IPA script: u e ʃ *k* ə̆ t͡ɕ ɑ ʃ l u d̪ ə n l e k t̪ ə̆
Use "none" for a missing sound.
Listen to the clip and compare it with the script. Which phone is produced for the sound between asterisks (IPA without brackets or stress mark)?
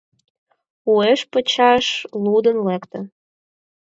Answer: p